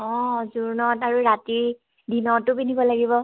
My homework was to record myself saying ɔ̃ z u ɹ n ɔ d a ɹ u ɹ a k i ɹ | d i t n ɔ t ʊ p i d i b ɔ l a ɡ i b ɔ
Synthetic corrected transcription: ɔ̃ z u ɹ n ɔ t a ɹ u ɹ a t i ɹ | d i n ɔ t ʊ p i n i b ɔ l a ɡ i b ɔ